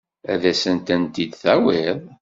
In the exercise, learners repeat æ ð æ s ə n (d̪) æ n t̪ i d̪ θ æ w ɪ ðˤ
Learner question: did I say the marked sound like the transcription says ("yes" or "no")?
no